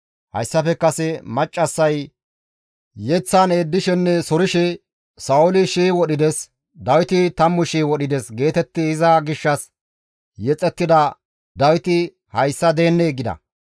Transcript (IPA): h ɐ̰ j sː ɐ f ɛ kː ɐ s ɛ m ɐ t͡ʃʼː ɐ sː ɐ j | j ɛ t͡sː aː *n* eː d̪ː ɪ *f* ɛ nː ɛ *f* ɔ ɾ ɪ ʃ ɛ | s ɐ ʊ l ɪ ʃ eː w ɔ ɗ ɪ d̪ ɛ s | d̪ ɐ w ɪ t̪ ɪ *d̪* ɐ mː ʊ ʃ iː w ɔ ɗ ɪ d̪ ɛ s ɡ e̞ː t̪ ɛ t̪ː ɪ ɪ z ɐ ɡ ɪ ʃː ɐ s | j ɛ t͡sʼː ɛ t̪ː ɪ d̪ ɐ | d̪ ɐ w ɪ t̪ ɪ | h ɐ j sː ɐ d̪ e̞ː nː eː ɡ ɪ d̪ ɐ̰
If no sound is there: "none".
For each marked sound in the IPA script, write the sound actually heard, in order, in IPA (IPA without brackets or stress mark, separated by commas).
n, ʃ, s, t̪